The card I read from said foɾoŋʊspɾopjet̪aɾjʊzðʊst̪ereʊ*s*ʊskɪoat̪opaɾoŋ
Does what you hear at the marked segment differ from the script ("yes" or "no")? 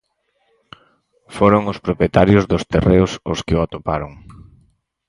no